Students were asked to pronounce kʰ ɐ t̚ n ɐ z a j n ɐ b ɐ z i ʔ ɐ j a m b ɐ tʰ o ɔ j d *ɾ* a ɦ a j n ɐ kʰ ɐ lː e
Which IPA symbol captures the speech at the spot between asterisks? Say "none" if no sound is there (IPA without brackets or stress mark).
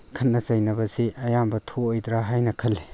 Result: ɾ